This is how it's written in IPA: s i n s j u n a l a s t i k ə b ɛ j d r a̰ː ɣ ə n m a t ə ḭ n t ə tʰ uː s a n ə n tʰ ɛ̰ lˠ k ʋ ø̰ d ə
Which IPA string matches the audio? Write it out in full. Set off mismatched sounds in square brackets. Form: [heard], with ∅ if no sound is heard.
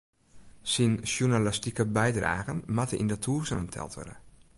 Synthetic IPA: s i n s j u n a l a s t i k ə b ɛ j d r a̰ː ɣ ə n m a t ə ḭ n [d] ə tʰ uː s [ə] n ə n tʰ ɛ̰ lˠ [t] ʋ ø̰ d ə

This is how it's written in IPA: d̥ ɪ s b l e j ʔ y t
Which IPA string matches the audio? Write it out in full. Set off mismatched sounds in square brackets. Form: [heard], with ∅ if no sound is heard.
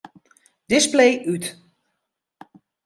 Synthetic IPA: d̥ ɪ s [p] l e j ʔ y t

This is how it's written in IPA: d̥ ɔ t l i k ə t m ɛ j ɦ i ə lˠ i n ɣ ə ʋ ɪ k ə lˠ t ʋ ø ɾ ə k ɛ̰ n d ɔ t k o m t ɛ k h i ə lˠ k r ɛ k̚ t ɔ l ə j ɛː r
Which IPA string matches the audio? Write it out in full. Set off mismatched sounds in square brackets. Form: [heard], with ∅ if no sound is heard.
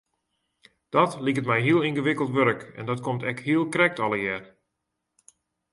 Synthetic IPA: d̥ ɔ t l i k ə t m ɛ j ɦ i ə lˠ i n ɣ ə ʋ ɪ k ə lˠ t ʋ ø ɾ ə k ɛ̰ n d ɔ t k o m t ɛ k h i ə lˠ k r ɛ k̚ t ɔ l ə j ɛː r

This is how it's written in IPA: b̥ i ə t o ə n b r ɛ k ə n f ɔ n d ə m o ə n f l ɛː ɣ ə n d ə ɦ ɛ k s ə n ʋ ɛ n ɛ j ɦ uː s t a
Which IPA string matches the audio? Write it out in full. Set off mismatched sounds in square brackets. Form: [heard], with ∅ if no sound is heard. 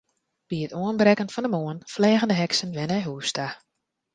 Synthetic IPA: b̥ i ə t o ə n b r ɛ k ə n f ɔ n d ə m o ə n f l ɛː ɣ ə n d ə ɦ ɛ k s ə n ʋ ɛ n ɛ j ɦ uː s t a

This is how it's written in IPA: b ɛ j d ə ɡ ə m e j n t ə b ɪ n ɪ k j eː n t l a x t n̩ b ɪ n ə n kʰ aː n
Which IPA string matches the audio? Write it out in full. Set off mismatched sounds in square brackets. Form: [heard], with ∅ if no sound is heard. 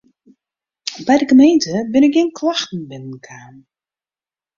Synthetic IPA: b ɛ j d ə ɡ ə m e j n t ə b ɪ n ɪ k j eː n [k] l a x t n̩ b ɪ n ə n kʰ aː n

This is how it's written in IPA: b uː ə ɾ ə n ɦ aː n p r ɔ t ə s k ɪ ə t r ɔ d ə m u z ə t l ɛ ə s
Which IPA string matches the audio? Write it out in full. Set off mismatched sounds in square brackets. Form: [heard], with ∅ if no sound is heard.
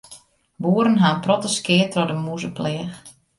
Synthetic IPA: b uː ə ɾ ə n ɦ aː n p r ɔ t ə s k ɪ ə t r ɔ d ə m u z ə [p] l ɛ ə [x]

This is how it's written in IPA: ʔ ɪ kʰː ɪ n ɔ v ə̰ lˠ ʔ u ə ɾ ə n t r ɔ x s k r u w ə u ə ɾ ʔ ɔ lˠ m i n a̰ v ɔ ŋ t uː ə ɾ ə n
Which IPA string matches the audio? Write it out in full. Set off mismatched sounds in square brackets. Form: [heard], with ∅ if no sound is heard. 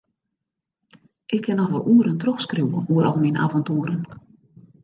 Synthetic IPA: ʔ ɪ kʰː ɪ n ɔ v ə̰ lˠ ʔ u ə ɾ ə n t r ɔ x s k r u w ə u ə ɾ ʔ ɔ lˠ m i n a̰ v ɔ [n] t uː ə ɾ ə n

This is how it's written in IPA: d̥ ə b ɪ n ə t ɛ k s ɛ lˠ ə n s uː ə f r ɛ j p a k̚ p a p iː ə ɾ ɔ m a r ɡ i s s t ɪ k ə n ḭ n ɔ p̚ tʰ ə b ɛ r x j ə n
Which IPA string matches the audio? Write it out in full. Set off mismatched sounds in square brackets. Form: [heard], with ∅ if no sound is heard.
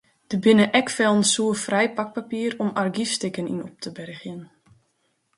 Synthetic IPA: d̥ ə b ɪ n ə [ʔ] ɛ k [f] ɛ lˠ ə n s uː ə f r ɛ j p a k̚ p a p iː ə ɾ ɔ m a r ɡ i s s t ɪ k ə n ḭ n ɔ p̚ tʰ ə b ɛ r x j ə n

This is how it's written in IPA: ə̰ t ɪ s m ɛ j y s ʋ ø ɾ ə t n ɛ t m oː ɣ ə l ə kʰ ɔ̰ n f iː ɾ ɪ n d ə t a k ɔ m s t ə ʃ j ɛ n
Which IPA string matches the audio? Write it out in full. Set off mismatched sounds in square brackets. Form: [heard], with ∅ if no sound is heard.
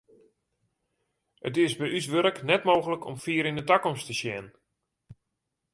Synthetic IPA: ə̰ t ɪ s [b] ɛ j y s ʋ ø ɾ ə [k] n ɛ t m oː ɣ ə l ə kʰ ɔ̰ [m] f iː ɾ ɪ n d ə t a k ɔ m s t ə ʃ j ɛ n

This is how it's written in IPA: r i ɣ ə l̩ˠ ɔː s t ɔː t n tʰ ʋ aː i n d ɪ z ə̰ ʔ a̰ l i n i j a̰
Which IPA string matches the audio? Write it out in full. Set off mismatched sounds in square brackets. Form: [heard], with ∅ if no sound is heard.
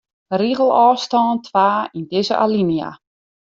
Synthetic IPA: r i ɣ ə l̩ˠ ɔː s t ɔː [∅] n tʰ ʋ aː i n d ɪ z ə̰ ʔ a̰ l i n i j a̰

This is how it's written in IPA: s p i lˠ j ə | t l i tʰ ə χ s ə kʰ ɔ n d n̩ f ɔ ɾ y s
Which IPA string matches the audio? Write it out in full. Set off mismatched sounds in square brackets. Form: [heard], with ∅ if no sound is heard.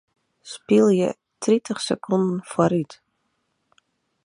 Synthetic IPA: s p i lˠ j ə | t [r] i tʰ ə χ s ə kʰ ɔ n d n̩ f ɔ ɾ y [t]

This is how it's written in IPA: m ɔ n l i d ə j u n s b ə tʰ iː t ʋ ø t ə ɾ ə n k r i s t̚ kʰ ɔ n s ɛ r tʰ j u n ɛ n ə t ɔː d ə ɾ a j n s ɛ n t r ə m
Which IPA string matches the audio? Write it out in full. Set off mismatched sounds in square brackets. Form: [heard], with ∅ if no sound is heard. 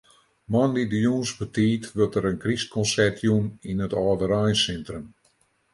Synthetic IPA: m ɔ n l i d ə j u n s b ə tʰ iː t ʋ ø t ə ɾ ə n k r i s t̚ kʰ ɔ n s ɛ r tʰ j u n [i] n ə t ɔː d ə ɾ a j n s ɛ n t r ə m

